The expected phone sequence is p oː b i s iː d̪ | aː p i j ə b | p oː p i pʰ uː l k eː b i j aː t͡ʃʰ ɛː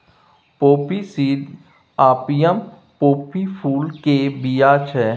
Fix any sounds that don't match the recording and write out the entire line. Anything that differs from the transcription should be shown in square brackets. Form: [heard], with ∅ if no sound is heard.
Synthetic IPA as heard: p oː [p] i s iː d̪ | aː p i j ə [m] | p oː p i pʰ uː l k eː b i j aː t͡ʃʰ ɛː